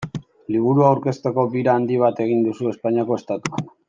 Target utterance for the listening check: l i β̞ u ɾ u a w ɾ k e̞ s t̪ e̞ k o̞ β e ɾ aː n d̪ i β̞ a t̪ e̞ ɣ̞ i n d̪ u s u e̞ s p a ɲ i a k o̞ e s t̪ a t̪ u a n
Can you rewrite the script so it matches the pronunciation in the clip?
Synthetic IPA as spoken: l i β̞ u ɾ u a w ɾ k e̞ s t̪ e̞ k o̞ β i ɾ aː n d̪ i β̞ a t̪ e̞ ɣ̞ i n d̪ u s u e̞ s p a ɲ i a k o̞ e s t̪ a t̪ u a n